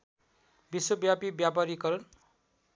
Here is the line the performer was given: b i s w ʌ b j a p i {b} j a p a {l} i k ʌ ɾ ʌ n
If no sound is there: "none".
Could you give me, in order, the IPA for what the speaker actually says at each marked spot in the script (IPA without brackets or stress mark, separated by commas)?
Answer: b, ɾ